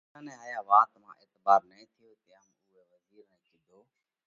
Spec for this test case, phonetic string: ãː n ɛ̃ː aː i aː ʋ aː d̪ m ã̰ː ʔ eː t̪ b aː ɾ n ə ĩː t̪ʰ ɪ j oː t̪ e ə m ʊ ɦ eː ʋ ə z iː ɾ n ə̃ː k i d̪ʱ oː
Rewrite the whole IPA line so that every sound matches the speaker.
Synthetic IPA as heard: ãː n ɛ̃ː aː j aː ʋ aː t̪ m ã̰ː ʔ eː t̪ b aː ɾ n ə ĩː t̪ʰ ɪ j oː t̪ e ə m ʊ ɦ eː ʋ ə z iː ɾ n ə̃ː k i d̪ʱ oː